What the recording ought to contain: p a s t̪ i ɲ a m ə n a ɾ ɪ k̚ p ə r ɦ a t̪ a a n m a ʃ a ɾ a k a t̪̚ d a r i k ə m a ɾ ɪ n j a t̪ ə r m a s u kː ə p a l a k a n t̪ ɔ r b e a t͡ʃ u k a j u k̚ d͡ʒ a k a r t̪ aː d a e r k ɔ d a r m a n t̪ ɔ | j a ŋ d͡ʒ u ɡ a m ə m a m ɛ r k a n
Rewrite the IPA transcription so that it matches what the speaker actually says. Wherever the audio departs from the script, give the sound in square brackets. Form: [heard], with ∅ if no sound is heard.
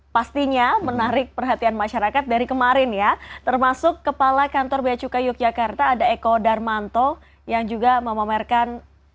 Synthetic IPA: p a s t̪ i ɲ a m ə n a ɾ ɪ k̚ p ə r ɦ a t̪ [i] a n m a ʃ a ɾ a k a t̪̚ d a [ɾ] i k ə m a ɾ ɪ n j a t̪ ə r m a s [ʊ] kː ə p a l a k a n t̪ ɔ r b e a t͡ʃ u k a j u k̚ d͡ʒ a k a r t̪ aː d a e [∅] k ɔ d a r m a n t̪ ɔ | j a ŋ d͡ʒ u ɡ a m ə m a m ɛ r k a n